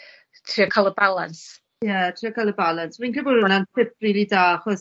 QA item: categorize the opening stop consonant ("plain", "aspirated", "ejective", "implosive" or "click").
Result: aspirated